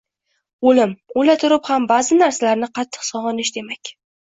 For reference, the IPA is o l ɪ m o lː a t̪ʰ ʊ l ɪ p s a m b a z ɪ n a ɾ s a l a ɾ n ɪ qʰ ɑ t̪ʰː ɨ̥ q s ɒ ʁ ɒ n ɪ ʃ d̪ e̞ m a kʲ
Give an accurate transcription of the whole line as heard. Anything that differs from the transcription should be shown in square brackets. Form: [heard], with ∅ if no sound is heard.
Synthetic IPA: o l ɪ m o [l] a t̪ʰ ʊ [ɾ] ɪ p [h] a m b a z ɪ n a ɾ s a l a ɾ n ɪ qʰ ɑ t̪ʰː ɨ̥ q s ɒ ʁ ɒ n ɪ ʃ d̪ e̞ m a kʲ